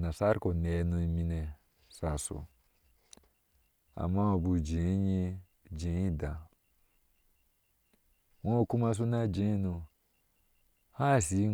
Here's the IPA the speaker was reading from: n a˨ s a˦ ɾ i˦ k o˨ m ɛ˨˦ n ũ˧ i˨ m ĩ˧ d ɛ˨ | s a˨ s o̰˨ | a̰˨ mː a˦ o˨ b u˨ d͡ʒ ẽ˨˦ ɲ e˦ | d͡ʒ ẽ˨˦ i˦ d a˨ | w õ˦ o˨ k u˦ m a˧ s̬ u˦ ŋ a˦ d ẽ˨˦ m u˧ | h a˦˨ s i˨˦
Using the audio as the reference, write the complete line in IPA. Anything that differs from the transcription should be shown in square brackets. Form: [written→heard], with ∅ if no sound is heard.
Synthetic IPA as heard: n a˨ s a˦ ɾ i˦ k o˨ [m→n] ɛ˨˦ n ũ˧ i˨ m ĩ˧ [d→n] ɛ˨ | s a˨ s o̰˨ | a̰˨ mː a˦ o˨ b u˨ d͡ʒ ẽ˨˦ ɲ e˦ | d͡ʒ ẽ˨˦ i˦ d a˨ | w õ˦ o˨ k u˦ m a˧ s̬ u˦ [ŋ→n] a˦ [d→d͡ʒ] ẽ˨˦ [m→n] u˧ | h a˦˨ s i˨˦